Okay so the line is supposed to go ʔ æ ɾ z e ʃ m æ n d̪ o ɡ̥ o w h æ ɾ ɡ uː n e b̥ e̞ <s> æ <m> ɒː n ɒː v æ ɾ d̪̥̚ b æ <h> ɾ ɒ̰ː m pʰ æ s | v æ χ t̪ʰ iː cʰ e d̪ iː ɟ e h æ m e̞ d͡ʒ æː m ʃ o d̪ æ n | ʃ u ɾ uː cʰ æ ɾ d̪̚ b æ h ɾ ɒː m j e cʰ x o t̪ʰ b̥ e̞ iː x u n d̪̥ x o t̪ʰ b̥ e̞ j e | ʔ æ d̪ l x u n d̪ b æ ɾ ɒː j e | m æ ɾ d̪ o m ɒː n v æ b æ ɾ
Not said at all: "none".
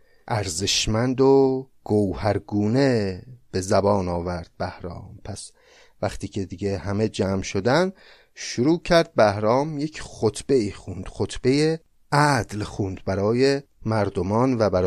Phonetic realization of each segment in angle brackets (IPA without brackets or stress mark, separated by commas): z, b, h